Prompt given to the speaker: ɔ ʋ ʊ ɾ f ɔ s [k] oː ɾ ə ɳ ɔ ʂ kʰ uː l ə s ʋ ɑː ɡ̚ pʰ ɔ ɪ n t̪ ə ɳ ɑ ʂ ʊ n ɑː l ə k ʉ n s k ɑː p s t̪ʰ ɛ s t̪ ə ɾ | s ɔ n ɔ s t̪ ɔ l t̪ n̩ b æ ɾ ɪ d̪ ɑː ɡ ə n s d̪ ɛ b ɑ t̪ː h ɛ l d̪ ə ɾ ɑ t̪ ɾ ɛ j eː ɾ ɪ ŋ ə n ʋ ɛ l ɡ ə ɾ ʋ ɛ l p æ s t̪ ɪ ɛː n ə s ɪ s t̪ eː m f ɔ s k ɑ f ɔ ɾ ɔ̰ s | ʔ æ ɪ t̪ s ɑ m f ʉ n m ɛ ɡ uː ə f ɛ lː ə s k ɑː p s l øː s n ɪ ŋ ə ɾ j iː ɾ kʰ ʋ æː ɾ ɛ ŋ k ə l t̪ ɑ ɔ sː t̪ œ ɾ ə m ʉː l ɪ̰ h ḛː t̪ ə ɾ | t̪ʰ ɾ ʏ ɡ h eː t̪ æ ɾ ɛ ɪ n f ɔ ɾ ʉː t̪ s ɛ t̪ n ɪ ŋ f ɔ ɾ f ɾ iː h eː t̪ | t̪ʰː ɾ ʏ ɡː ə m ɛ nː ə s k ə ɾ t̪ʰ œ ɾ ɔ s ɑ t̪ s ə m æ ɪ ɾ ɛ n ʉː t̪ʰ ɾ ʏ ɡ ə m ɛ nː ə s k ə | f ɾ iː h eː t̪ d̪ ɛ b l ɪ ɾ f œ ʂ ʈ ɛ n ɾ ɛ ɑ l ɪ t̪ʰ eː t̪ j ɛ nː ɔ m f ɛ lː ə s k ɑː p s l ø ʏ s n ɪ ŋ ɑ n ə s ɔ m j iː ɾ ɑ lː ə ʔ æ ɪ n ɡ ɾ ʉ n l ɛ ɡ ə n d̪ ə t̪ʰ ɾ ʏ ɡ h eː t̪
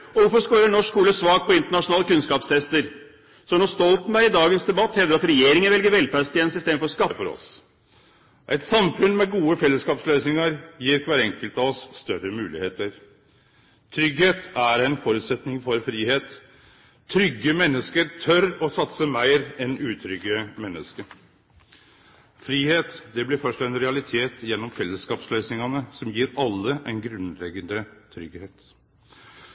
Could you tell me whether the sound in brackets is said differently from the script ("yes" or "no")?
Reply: no